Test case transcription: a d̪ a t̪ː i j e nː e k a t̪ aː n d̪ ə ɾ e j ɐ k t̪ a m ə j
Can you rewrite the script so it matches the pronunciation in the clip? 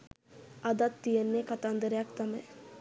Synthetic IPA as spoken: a d̪ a t̪ː i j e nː e k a t̪ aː n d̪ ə ɾ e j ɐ k t̪ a m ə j